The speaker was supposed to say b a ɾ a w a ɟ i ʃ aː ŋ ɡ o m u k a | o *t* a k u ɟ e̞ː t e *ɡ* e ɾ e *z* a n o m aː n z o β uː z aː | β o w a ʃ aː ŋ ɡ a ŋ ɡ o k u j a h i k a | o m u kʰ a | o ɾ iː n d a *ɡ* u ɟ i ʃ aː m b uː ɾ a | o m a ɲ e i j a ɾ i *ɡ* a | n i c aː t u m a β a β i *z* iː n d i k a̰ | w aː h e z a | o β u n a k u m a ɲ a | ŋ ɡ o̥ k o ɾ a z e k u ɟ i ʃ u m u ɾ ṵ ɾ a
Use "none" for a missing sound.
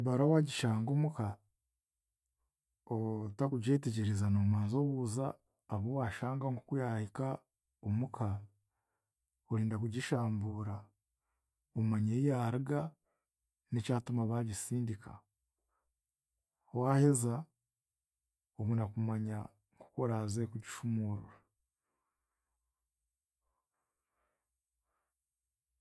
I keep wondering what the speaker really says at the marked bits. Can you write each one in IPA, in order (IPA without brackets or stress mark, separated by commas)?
t, ɟ, z, k, ɡ, s